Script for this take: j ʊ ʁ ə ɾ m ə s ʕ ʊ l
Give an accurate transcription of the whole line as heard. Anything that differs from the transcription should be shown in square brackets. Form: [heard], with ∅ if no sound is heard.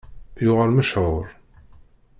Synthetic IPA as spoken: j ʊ ʁ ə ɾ m ə [ʃ] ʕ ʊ [ɾ]